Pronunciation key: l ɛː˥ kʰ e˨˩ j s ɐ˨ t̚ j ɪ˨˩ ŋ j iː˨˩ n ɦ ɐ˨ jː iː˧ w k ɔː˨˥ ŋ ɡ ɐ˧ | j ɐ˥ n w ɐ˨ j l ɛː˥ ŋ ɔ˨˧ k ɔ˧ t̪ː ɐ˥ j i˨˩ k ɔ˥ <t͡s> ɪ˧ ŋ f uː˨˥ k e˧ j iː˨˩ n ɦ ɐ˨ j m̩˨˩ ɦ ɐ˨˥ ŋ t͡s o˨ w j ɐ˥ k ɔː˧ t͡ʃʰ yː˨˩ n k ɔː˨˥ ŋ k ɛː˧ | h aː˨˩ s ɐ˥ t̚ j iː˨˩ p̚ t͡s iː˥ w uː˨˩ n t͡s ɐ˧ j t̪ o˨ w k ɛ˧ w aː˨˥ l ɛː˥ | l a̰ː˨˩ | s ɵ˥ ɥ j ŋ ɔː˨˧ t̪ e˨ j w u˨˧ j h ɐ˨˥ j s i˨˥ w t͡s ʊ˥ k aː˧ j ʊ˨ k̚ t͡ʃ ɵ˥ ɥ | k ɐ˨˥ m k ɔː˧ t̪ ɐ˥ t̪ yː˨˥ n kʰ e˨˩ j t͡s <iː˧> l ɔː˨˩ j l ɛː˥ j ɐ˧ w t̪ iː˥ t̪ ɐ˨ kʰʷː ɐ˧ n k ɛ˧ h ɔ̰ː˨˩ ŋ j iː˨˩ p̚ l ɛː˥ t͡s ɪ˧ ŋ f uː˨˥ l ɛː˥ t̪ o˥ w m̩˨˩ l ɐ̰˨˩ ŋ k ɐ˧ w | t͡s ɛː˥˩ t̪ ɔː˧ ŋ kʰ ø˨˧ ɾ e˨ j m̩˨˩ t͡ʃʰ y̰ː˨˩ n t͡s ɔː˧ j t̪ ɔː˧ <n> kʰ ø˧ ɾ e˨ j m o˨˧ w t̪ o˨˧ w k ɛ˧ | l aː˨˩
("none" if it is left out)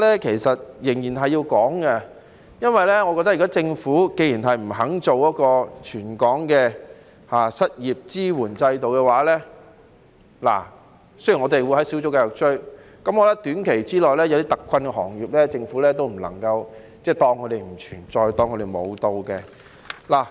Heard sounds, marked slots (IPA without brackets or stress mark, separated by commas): t͡s, iː˥, ŋ